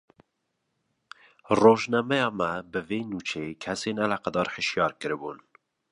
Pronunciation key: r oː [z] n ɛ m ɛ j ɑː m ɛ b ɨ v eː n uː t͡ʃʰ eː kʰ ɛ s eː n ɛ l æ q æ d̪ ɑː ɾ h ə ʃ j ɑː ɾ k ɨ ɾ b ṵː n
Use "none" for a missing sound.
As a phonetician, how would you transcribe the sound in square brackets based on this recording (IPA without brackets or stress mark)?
ʒ